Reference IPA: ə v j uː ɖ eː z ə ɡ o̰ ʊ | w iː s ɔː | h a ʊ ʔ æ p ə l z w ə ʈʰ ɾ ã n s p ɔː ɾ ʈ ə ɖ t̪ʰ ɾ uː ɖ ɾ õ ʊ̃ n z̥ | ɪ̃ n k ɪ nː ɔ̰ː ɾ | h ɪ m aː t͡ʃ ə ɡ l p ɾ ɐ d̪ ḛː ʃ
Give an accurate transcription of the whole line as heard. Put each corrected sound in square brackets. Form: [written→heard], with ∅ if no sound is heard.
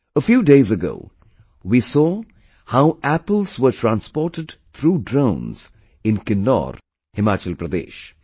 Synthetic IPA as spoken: ə [v→f] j uː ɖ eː z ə ɡ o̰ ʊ | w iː s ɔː | h a ʊ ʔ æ p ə l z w ə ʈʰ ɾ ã n s p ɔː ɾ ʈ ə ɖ t̪ʰ ɾ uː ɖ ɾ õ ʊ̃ n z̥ | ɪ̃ n k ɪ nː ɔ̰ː ɾ | h ɪ m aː t͡ʃ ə [ɡ→∅] l p ɾ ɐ d̪ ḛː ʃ

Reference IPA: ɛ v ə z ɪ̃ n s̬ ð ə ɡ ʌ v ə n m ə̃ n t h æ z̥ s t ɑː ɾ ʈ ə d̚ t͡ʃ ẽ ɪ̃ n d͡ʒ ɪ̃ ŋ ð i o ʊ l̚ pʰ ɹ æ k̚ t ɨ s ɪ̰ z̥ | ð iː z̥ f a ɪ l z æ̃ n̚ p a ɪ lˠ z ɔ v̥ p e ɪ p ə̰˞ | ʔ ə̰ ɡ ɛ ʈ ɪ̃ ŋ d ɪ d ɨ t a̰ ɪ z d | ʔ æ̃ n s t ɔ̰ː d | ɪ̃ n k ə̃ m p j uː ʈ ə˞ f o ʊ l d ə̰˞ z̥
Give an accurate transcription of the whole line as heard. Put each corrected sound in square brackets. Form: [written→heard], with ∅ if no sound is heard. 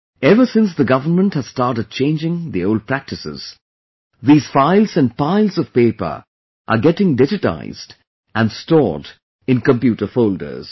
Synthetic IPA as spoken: ɛ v ə [z→s] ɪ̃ n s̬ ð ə ɡ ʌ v ə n m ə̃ n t h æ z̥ s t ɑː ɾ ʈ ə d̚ t͡ʃ ẽ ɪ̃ n d͡ʒ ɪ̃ ŋ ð i o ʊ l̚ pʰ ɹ æ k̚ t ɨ s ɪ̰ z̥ | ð iː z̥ f a ɪ l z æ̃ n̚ p a ɪ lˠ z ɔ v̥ p e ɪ p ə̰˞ | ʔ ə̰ ɡ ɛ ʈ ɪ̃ ŋ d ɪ [d→d͡ʒ] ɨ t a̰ ɪ z d | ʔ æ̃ n s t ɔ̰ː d | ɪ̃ n k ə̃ m p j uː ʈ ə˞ f o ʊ l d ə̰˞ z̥

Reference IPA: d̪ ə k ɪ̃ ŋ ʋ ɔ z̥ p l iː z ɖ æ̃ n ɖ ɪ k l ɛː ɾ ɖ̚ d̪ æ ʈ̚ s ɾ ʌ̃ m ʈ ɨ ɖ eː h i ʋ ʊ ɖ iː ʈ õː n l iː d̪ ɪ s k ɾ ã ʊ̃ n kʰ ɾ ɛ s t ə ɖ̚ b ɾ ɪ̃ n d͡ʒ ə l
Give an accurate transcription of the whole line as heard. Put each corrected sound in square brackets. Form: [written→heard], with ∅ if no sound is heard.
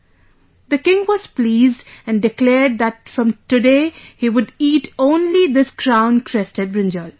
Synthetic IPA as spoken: d̪ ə k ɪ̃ ŋ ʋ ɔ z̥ p l iː z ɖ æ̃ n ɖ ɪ k l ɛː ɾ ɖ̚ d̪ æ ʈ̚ [s→f] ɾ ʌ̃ m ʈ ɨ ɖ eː h i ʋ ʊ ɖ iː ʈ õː n l [iː→i] d̪ ɪ s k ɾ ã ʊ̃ n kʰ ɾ ɛ s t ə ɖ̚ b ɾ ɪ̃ n d͡ʒ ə l

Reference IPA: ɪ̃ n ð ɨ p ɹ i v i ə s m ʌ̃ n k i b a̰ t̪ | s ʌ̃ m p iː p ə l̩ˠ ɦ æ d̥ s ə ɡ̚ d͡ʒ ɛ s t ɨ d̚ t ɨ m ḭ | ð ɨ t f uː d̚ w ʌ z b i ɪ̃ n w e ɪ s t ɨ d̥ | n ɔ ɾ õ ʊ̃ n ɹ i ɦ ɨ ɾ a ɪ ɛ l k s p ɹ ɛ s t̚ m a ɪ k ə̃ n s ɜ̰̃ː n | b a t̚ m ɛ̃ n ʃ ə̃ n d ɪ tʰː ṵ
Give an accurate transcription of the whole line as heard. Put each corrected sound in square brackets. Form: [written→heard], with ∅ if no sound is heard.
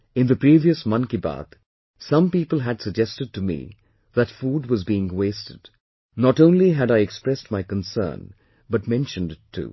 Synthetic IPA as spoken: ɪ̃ n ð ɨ p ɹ i v i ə s m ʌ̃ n k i b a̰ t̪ | s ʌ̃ m p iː p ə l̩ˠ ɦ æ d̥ s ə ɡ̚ d͡ʒ ɛ s t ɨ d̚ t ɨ m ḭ | ð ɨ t f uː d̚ w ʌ z b i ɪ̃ [n→ŋ] w e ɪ s t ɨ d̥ | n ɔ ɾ õ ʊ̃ n [ɹ→l] i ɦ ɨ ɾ a ɪ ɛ [l→∅] k s p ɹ ɛ s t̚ m a ɪ k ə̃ n s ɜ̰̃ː n | b [a→ʌ] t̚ m ɛ̃ n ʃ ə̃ n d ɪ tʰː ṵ

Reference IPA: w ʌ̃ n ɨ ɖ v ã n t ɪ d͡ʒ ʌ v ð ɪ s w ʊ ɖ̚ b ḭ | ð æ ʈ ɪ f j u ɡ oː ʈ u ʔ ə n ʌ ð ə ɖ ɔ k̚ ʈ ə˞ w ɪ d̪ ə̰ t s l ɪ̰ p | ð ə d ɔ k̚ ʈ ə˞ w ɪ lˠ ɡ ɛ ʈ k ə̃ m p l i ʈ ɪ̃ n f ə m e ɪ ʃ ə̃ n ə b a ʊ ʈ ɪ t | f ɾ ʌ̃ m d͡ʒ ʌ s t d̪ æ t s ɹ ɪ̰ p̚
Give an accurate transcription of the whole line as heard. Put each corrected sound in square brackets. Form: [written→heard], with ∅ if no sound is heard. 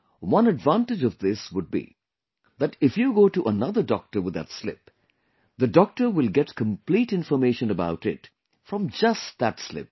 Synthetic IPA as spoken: w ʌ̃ n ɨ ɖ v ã n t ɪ d͡ʒ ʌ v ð ɪ s w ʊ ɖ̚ b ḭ | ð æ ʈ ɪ f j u ɡ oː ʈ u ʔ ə n ʌ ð ə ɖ ɔ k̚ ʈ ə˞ w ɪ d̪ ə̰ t s l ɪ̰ p | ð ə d ɔ k̚ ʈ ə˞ w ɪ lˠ ɡ ɛ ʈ k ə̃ m p l i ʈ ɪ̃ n f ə m e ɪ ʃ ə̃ n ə b a ʊ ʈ ɪ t | f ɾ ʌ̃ m d͡ʒ ʌ s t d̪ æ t s [ɹ→l] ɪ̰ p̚

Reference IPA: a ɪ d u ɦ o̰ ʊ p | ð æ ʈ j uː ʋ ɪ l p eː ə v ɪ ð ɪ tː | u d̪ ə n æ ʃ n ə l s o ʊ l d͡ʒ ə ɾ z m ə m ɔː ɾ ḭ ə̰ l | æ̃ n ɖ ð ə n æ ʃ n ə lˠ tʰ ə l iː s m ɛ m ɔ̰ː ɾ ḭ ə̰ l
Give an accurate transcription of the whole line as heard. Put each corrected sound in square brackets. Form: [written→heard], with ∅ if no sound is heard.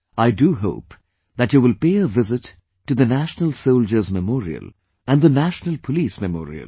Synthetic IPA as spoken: a ɪ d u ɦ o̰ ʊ p | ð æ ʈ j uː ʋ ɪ l p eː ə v ɪ [ð→z] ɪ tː | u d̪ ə n æ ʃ n ə l s o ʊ l d͡ʒ ə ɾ z m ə m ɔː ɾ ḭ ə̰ l | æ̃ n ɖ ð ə n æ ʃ n ə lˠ [tʰ→pʰ] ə l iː s m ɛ m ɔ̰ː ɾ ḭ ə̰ l

